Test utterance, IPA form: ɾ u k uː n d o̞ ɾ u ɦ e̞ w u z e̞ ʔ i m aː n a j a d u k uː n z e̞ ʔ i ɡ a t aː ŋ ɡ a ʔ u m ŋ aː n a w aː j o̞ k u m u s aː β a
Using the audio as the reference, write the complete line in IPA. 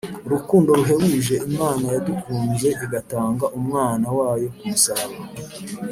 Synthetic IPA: ɾ u k uː n d o̞ ɾ u ɦ e̞ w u ʒ e̞ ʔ i m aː n a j a d u k uː n z e̞ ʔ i ɡ a t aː ŋ ɡ a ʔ u m ŋ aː n a w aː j o̞ k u m u s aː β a